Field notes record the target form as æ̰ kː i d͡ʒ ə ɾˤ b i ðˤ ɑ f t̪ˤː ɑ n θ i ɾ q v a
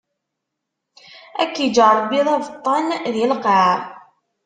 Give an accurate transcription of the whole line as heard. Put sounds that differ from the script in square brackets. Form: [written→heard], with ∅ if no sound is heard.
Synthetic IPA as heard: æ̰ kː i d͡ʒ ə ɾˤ b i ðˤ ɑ [f→v] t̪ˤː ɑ n [θ→ð] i [ɾ→l] q [v→ʕ] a